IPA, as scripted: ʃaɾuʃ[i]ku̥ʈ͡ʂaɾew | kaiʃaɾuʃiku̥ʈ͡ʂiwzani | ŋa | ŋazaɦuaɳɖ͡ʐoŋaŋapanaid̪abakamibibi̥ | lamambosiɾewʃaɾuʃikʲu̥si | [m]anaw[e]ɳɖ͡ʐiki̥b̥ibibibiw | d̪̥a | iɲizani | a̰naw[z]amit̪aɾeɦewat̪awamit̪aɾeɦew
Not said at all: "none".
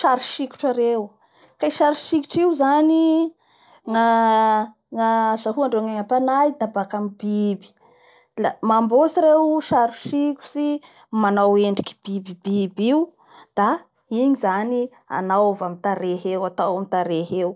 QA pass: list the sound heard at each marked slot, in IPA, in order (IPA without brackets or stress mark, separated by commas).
i, m, e, v